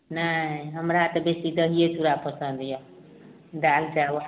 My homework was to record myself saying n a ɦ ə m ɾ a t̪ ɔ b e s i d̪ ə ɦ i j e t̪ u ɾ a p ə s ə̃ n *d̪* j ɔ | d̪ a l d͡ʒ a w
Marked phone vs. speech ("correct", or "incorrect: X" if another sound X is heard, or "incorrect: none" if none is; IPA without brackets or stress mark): correct